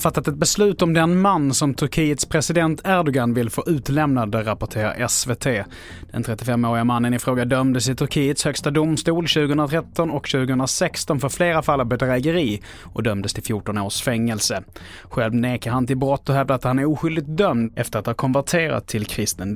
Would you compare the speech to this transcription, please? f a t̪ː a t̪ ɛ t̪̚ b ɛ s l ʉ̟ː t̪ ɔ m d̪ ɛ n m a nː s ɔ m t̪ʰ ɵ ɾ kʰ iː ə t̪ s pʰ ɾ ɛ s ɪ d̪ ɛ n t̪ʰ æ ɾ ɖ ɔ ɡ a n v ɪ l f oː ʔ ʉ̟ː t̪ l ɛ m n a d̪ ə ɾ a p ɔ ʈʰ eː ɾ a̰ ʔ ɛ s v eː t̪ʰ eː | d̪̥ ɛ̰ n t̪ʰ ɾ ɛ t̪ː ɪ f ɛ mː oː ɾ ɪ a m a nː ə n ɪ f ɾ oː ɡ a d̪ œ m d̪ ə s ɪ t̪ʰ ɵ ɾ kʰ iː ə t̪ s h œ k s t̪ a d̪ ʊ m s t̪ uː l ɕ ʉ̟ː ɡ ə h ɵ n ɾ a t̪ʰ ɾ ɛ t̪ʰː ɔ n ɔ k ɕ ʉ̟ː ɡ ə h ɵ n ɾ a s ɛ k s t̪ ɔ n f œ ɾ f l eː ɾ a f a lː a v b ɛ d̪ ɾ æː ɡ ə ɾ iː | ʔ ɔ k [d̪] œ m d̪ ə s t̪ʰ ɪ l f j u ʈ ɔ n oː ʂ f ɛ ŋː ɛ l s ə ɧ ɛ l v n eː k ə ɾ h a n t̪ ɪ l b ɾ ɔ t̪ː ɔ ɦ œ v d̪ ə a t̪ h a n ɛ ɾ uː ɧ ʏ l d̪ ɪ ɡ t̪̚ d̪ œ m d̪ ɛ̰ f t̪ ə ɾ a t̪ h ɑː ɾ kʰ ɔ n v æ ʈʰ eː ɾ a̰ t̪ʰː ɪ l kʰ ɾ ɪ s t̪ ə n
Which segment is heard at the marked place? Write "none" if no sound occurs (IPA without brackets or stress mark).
d̪